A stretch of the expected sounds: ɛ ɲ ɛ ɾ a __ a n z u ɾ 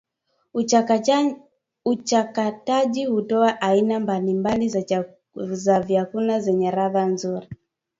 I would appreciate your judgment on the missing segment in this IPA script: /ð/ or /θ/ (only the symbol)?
ð